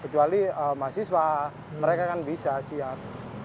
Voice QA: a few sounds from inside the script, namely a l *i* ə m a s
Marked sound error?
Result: no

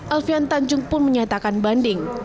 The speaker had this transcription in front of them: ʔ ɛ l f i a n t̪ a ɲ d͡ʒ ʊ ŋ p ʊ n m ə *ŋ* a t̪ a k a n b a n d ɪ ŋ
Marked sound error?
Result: yes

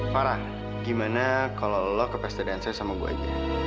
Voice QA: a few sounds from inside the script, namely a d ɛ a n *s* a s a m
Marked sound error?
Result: no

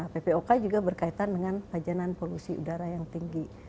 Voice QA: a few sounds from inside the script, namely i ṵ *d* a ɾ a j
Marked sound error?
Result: no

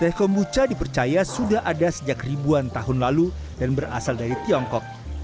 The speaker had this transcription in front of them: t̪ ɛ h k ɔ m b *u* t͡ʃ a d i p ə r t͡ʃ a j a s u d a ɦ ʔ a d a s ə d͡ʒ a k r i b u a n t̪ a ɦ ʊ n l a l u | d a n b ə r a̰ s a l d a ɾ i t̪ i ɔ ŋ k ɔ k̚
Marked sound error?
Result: no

